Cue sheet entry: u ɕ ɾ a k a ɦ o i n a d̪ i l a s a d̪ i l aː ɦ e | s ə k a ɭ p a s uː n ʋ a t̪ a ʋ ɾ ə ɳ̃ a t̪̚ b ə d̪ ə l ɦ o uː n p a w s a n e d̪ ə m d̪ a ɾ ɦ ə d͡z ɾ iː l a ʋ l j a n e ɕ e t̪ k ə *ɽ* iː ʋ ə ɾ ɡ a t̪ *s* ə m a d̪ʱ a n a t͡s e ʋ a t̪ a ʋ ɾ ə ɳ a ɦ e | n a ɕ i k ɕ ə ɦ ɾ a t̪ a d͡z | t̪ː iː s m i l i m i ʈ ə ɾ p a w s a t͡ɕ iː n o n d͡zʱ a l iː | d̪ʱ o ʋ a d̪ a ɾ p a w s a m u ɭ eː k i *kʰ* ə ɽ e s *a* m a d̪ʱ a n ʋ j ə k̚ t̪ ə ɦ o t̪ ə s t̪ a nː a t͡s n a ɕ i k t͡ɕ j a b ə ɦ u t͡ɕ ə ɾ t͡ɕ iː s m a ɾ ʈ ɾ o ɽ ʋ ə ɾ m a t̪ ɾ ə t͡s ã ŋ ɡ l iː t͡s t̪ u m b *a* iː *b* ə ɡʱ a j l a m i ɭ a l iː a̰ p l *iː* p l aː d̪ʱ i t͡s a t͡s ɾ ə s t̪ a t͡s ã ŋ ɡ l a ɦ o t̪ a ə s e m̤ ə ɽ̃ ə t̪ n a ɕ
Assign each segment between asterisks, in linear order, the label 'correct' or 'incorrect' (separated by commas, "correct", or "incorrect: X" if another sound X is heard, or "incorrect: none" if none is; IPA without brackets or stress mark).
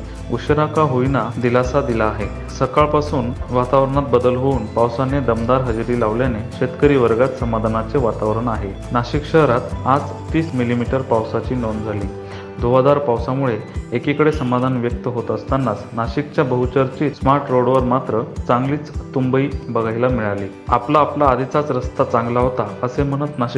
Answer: incorrect: ɾ, correct, incorrect: k, incorrect: ə, incorrect: ə, correct, incorrect: aː